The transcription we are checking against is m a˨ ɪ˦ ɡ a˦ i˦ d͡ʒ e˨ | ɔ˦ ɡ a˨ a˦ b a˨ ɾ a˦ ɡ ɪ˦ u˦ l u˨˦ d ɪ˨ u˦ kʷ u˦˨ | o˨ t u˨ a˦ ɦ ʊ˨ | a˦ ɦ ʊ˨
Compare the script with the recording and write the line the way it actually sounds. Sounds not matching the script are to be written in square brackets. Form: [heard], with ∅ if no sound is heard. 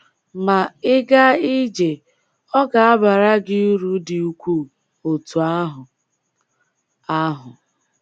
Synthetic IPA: m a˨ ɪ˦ ɡ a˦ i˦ d͡ʒ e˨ | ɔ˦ ɡ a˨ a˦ b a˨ ɾ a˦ ɡ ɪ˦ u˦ [ɾ] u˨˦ d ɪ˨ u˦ kʷ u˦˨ | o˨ t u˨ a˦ ɦ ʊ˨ | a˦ ɦ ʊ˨